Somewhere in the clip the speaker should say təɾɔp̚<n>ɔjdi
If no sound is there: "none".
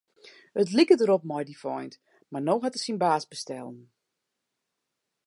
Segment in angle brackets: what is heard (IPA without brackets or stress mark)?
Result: m